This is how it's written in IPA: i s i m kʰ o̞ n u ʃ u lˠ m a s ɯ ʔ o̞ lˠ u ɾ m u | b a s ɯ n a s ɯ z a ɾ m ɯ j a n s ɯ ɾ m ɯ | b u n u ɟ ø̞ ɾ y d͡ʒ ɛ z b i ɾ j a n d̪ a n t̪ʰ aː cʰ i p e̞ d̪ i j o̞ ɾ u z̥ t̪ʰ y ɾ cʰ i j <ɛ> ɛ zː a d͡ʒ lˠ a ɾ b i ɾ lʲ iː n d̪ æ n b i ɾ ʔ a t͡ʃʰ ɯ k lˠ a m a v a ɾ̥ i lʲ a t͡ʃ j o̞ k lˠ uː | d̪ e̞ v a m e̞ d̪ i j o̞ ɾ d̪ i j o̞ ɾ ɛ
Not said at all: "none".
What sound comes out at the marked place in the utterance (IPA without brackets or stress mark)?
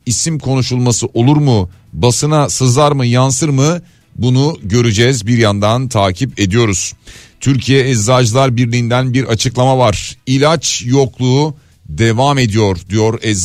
ɛ